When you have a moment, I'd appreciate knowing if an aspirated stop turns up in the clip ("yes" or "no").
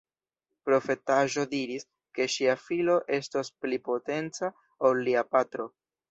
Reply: no